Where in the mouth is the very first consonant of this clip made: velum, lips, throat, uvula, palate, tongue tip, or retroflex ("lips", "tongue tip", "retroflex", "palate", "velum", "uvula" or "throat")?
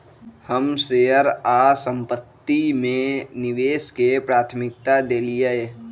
throat